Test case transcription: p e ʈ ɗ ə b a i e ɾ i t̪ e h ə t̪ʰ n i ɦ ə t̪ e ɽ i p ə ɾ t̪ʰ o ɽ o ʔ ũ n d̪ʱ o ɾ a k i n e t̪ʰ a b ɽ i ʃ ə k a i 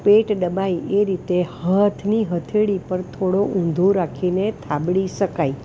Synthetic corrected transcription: p e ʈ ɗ ə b a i e ɾ i t̪ e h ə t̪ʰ n i ɦ ə t̪ʰ e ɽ i p ə ɾ t̪ʰ o ɽ o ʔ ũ n d̪ʱ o ɾ a kʰ i n e t̪ʰ a b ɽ i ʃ ə k a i